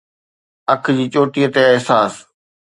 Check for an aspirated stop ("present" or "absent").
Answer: present